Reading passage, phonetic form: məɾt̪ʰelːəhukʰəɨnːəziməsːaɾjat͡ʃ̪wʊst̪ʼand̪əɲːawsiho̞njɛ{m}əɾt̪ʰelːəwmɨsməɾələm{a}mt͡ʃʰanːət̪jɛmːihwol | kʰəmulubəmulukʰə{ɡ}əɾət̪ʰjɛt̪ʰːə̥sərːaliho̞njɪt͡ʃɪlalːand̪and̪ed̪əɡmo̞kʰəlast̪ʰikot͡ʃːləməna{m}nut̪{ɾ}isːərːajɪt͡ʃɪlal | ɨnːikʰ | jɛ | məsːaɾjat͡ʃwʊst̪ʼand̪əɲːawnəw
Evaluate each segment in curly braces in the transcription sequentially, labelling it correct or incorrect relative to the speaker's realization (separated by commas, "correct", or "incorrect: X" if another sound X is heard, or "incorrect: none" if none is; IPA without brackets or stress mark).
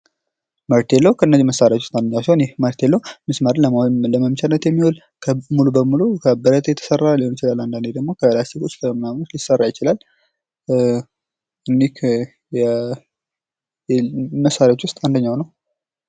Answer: correct, incorrect: ə, incorrect: b, correct, incorrect: l